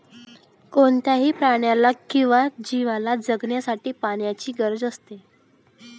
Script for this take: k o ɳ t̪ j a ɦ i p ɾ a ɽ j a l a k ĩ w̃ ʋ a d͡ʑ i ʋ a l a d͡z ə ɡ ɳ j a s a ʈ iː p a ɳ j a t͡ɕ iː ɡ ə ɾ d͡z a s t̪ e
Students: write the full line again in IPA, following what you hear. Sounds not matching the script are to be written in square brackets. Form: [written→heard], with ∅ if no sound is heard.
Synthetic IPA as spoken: k o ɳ t̪ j a ɦ [i→iː] p ɾ a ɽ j a l a k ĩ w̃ ʋ a d͡ʑ i ʋ a l a d͡z ə ɡ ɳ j a s a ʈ iː p a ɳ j a t͡ɕ iː ɡ ə ɾ d͡z [a→ə] s t̪ e

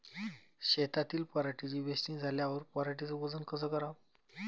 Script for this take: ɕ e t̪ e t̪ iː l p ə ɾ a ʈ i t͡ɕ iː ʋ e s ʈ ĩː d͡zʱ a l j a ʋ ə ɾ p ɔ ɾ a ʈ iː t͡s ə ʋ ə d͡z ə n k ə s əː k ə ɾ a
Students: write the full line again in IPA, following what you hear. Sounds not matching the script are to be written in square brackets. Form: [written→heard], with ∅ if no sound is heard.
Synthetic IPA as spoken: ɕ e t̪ [e→a] t̪ iː l p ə ɾ a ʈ i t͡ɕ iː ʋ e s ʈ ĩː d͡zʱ a l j a ʋ ə ɾ p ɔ ɾ a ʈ [iː→i] t͡s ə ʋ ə d͡z ə n k ə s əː k ə ɾ a

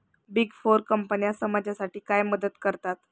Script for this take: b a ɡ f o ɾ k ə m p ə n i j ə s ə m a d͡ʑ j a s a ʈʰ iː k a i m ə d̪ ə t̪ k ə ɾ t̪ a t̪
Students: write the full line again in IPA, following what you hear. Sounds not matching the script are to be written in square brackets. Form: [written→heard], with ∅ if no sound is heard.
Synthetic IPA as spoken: b [a→i] ɡ f o ɾ k ə m p ə n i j [ə→a] s ə m a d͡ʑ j a s a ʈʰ iː k a [i→j] m ə d̪ ə t̪ k ə ɾ t̪ a t̪

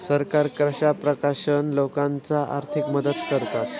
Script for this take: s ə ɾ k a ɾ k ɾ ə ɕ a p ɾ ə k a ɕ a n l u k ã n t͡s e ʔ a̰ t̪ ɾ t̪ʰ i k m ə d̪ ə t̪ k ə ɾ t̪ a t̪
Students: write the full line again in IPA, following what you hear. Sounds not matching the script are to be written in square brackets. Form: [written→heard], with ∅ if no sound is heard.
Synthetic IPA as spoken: s ə ɾ k a ɾ k ɾ ə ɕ a p ɾ ə k a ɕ [a→ə] n l [u→o] k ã n t͡s [e→a] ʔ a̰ [t̪→∅] ɾ t̪ʰ i k m ə d̪ ə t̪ k ə ɾ t̪ a t̪

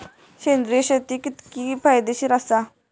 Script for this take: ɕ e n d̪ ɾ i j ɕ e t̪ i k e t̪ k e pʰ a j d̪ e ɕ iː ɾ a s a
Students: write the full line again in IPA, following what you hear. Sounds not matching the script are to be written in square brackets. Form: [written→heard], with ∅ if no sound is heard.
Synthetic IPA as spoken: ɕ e n d̪ ɾ i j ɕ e t̪ i k [e→i] t̪ k [e→i] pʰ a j d̪ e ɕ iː ɾ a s a

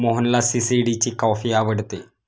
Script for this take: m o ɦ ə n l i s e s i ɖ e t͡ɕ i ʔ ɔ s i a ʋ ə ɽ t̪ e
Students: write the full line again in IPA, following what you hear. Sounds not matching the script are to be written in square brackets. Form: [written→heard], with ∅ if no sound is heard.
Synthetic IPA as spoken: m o ɦ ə n l [i→a] s [e→i] s i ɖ [e→i] t͡ɕ i [ʔ→k] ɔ [s→f] i a ʋ ə ɽ t̪ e

